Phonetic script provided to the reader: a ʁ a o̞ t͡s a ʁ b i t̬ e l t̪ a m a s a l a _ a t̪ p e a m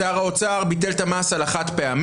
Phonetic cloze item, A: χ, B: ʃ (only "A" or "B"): A